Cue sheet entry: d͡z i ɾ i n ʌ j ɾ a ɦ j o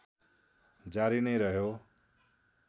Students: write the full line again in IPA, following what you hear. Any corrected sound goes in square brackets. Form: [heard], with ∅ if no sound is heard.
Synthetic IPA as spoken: d͡z [a] ɾ i n ʌ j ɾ [ʌ] ɦ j o